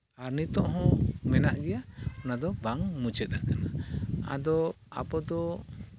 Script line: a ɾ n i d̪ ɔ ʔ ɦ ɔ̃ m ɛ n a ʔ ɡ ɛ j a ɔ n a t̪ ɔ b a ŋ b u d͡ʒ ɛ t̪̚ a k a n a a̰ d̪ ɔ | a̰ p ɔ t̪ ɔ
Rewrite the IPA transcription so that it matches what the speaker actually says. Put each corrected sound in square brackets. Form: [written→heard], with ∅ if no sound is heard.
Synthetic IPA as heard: a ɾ n i [d̪→t̪] ɔ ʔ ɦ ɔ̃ m ɛ n a ʔ ɡ ɛ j a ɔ n a [t̪→d̪] ɔ b a ŋ [b→m] u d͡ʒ ɛ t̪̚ a k a n a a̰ d̪ ɔ | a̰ p ɔ [t̪→d̪] ɔ